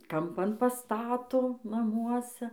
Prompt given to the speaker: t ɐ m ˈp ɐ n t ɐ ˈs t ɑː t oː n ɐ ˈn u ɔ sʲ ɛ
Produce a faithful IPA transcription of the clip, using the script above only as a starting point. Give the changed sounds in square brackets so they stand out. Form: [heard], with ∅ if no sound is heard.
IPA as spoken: [k] ɐ m ˈp ɐ n [p] ɐ ˈs t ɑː t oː n ɐ [ˈm] u ɔ sʲ ɛ